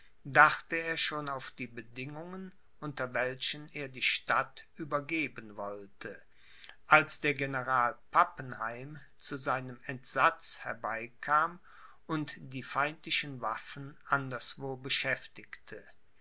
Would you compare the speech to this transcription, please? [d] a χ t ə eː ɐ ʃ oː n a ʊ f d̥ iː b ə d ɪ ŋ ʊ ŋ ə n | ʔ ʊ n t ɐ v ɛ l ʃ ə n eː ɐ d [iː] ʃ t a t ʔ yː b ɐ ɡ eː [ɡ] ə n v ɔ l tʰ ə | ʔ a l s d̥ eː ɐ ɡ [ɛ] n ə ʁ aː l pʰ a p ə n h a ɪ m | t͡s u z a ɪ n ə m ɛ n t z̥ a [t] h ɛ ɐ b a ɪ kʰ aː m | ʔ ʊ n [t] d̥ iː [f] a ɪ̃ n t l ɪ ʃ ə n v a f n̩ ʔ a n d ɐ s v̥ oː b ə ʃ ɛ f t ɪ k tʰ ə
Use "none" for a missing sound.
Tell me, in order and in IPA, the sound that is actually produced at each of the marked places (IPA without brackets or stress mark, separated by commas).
d, iː, b, e, t͡s, t, f